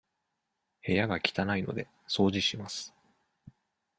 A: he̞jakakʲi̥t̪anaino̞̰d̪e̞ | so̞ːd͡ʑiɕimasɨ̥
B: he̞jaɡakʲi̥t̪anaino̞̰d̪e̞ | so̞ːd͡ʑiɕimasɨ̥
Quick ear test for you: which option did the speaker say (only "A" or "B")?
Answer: B